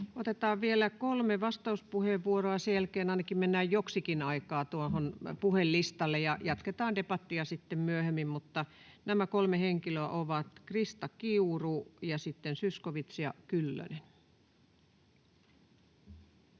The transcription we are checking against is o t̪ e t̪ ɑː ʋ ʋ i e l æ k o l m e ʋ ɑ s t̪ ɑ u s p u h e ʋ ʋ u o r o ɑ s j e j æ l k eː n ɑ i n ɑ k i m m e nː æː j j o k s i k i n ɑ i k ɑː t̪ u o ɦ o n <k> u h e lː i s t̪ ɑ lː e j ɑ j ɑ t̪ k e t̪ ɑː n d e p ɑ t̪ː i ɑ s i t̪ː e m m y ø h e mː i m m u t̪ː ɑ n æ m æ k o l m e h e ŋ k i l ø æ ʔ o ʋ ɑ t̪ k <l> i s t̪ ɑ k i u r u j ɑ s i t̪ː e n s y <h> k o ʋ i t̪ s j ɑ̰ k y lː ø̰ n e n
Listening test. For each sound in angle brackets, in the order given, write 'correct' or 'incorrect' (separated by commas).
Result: incorrect, incorrect, incorrect